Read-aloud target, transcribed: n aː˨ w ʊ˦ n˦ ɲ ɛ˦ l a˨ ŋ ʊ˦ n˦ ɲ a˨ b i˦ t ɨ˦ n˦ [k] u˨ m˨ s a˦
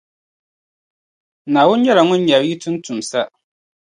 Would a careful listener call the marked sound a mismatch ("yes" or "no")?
yes